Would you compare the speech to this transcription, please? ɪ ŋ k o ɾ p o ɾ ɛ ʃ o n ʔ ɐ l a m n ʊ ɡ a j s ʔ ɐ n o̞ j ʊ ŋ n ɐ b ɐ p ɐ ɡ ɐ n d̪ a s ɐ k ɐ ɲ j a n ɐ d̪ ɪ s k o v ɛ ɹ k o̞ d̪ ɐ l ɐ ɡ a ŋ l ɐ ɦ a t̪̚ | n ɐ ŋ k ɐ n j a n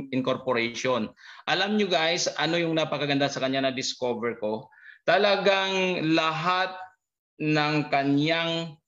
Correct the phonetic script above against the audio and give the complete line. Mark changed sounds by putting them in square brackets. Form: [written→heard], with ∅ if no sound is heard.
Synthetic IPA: ɪ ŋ k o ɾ p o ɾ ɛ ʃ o n ʔ ɐ l a m [n→ɲ] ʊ ɡ a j s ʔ ɐ n o̞ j ʊ ŋ n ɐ [b→p] ɐ [p→k] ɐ ɡ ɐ n d̪ a s ɐ k ɐ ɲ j a n ɐ d̪ ɪ s k o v ɛ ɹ k o̞ [d̪→t̪] ɐ l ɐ ɡ a ŋ l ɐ ɦ a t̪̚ | n ɐ ŋ k ɐ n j a [n→ŋ]